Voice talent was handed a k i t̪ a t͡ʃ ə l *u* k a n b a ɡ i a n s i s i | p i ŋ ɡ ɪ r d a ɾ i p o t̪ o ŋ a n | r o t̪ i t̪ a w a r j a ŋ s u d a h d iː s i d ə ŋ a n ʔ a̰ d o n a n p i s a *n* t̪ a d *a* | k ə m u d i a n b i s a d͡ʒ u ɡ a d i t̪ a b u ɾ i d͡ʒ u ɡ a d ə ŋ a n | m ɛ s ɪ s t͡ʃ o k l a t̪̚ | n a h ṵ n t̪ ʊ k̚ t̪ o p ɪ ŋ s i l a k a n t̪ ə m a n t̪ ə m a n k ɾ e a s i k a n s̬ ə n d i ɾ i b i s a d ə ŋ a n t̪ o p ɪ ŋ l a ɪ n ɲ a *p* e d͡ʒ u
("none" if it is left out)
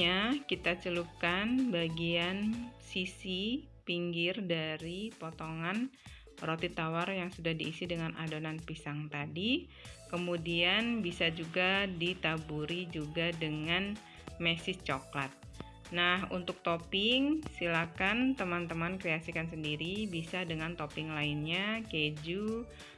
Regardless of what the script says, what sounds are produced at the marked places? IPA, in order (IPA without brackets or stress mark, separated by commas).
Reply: u, ŋ, i, k